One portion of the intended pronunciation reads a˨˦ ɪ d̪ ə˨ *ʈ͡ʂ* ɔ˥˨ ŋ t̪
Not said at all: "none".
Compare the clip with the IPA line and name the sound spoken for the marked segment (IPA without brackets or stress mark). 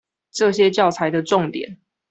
ʈ͡ʂ